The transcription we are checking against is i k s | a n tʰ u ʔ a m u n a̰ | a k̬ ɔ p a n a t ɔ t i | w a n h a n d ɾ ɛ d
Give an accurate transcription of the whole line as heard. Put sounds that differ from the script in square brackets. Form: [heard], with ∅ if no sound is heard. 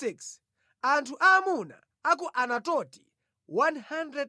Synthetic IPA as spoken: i k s | a n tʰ u ʔ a m u n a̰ | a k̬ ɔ [ʔ] a n a t ɔ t i | w a n h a n d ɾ ɛ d